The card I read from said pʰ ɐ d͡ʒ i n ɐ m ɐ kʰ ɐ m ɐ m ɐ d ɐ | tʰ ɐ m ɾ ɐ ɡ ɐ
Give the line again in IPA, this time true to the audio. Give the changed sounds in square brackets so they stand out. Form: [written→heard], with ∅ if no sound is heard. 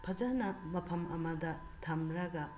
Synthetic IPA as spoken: pʰ ɐ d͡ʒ [i→a] n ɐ m ɐ [kʰ→pʰ] ɐ m ɐ m ɐ d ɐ | tʰ ɐ m ɾ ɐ ɡ ɐ